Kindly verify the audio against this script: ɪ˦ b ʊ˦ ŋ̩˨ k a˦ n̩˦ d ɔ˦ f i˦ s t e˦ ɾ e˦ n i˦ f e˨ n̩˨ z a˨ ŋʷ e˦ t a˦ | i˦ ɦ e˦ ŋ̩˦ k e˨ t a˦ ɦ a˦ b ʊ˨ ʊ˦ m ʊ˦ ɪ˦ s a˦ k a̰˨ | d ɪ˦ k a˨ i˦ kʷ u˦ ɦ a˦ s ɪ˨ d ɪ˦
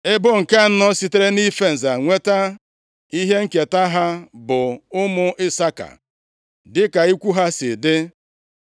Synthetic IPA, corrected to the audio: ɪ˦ b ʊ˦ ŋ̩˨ k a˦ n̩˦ n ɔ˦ s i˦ t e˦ ɾ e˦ n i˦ f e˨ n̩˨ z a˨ ŋʷ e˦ t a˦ | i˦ ɦ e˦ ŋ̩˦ k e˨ t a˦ ɦ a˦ b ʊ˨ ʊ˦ m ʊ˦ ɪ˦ s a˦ k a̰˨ | d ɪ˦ k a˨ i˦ kʷ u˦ ɦ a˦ s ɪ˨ d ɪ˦